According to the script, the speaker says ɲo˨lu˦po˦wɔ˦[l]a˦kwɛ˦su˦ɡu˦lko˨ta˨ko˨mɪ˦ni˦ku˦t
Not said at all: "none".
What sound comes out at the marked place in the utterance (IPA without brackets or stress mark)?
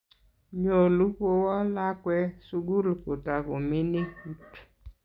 l